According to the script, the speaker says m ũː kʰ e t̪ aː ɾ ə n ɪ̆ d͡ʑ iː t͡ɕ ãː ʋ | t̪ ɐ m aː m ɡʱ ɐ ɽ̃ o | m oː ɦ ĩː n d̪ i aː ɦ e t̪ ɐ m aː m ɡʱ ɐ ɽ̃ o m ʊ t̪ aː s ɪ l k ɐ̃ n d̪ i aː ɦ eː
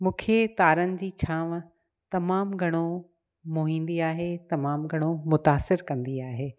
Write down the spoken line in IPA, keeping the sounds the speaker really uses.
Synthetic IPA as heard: m ũː kʰ e t̪ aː ɾ ə n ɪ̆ d͡ʑ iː t͡ɕʰ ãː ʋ | t̪ ɐ m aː m ɡʱ ɐ ɽ̃ o | m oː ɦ ĩː n d̪ i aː ɦ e t̪ ɐ m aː m ɡʱ ɐ ɽ̃ o m ʊ t̪ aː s ɪ ɾ k ɐ̃ n d̪ i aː ɦ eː